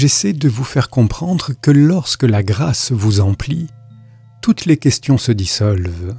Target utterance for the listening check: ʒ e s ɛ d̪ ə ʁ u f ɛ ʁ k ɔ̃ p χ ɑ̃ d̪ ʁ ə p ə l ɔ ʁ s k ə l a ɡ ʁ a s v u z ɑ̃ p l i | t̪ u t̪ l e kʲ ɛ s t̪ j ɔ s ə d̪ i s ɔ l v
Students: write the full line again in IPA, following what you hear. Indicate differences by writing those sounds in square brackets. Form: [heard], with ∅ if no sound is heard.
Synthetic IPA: ʒ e s ɛ d̪ ə [v] u f ɛ ʁ k ɔ̃ p χ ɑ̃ d̪ ʁ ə [k] ə l ɔ ʁ s k ə l a ɡ ʁ a s v u z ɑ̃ p l i | t̪ u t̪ l e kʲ ɛ s t̪ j [ɔ̃] s ə d̪ i s ɔ l v